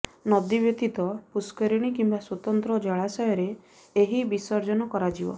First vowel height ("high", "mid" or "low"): mid